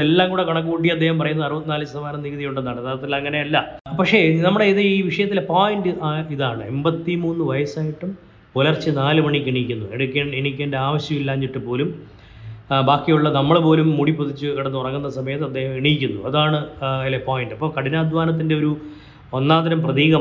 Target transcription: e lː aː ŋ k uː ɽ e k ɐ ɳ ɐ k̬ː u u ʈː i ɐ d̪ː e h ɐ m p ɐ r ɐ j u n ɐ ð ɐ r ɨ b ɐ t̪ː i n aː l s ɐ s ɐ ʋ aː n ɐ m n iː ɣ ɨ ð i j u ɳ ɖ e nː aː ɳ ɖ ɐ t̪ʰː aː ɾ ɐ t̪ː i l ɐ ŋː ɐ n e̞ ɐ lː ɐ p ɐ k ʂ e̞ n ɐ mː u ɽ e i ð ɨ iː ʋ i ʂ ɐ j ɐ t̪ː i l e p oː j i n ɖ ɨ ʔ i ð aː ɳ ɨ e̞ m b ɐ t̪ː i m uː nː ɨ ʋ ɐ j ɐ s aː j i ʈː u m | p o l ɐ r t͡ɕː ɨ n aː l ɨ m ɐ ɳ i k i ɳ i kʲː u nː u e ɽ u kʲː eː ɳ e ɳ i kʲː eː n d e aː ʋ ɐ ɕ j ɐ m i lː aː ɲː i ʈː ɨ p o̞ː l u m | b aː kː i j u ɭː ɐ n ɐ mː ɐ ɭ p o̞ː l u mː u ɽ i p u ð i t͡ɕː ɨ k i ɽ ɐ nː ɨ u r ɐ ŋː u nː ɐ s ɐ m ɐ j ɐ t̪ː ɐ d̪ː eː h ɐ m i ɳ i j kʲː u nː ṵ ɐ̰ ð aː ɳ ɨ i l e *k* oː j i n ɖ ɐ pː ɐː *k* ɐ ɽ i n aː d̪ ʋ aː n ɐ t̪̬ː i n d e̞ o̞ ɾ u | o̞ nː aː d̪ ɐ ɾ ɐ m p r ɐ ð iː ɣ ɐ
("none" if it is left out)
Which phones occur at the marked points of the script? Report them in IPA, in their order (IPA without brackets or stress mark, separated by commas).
p, k